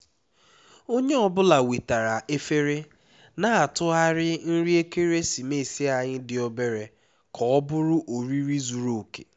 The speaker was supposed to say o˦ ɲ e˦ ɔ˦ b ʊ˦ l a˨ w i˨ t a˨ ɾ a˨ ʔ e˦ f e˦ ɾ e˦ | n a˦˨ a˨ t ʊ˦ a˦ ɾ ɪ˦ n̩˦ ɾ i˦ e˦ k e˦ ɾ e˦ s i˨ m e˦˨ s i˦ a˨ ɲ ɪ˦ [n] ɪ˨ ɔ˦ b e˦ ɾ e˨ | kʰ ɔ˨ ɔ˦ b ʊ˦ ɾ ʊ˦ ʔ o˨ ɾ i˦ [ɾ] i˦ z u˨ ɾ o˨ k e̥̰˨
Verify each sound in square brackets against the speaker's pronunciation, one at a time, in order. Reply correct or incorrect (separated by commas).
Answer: incorrect, correct